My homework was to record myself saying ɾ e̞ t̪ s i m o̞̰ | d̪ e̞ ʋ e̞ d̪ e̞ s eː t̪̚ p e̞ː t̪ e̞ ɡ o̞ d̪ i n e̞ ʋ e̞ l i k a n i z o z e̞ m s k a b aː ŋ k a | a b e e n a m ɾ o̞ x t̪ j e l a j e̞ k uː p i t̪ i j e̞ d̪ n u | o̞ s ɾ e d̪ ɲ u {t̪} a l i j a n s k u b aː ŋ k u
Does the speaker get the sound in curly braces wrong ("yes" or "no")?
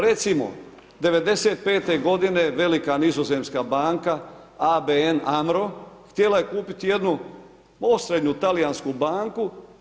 no